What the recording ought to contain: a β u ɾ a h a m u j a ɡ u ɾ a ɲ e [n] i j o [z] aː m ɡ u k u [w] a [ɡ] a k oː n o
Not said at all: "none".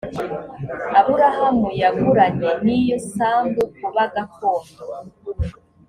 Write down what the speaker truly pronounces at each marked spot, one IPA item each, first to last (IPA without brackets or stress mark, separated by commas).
n, s, β, ɡ